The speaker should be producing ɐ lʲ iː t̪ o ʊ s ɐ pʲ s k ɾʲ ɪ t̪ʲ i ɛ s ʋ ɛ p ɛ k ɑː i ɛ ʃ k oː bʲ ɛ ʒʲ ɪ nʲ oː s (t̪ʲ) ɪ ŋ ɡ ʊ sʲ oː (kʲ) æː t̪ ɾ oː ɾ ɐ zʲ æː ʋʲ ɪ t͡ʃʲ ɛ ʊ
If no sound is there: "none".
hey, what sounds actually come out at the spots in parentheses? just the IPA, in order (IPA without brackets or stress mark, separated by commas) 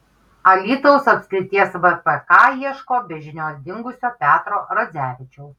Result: d̪ʲ, pʲ